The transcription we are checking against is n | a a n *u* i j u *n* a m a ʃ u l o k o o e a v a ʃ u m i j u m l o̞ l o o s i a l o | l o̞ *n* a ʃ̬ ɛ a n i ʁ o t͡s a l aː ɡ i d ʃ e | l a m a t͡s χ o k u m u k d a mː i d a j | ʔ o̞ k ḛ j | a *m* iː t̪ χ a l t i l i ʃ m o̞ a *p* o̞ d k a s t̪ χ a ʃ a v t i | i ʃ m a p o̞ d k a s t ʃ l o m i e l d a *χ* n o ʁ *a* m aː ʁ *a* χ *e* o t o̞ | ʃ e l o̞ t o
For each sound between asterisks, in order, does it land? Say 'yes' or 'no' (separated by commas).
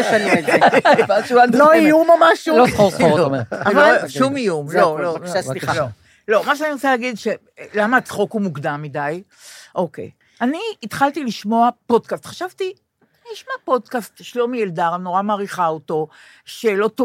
no, no, no, no, yes, no, yes, no, no